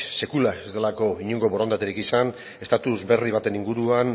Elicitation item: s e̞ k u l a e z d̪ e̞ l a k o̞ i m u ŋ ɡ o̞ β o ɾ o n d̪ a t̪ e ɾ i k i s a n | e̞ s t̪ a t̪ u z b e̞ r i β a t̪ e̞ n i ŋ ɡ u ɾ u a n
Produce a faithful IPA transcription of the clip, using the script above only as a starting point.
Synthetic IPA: s e̞ k u l a e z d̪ e̞ l a k o̞ i ɲ u ŋ ɡ o̞ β o ɾ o n d̪ a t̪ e ɾ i k i s a n | e̞ s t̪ a t̪ u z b e̞ r i β a t̪ e̞ n i ŋ ɡ u ɾ u a n